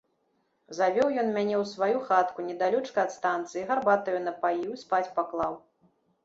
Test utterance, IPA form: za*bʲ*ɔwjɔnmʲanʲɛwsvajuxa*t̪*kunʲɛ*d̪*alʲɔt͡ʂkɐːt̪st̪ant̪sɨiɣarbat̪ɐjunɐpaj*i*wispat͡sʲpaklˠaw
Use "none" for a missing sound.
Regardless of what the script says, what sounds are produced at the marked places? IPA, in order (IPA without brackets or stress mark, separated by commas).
vʲ, t̪, d̪, i